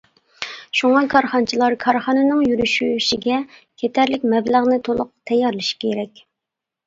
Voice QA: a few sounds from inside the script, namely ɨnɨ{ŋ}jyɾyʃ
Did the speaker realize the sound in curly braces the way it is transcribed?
yes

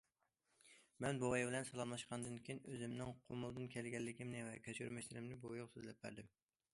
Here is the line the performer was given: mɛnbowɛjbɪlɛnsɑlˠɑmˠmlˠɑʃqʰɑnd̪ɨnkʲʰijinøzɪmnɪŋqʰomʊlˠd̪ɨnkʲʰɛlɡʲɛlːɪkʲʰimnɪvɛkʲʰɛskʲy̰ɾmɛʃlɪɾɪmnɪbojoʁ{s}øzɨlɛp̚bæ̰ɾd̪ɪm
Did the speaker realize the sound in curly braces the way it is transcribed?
yes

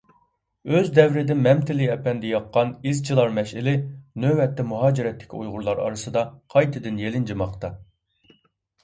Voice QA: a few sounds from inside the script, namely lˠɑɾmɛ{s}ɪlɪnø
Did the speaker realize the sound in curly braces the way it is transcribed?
no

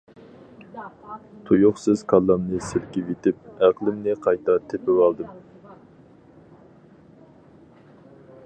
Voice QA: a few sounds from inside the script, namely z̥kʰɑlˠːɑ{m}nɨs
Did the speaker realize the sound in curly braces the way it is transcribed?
yes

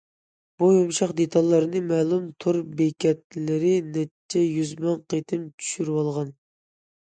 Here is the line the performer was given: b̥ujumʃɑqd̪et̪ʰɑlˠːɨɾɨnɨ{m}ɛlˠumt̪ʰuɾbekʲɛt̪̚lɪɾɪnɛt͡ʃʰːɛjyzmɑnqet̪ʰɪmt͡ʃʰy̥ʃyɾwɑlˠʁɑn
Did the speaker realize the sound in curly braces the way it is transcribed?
yes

